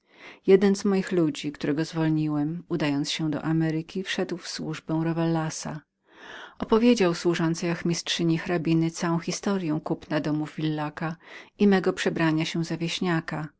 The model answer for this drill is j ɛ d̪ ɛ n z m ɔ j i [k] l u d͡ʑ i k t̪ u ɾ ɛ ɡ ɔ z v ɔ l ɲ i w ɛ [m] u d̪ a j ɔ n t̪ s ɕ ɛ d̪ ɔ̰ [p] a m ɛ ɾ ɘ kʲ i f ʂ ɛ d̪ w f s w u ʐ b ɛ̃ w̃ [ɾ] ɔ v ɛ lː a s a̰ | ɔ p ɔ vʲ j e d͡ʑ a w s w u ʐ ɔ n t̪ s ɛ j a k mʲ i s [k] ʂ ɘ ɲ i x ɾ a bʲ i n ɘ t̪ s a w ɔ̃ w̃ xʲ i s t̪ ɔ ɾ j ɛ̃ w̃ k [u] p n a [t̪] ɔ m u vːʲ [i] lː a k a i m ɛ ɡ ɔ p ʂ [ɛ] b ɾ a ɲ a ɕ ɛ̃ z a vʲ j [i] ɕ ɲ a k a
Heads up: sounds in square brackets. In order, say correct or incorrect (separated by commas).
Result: incorrect, correct, incorrect, correct, incorrect, correct, incorrect, correct, correct, incorrect